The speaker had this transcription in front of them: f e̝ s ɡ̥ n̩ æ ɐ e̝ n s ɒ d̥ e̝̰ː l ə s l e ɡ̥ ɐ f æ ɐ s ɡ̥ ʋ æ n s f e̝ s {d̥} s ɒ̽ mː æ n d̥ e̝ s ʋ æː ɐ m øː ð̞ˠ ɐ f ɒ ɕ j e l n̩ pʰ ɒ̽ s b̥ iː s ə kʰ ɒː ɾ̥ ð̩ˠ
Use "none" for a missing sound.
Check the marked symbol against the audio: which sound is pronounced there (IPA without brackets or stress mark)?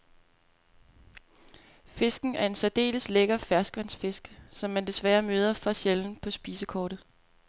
ɡ̥